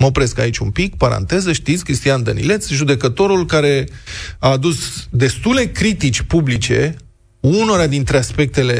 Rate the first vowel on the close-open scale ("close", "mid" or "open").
mid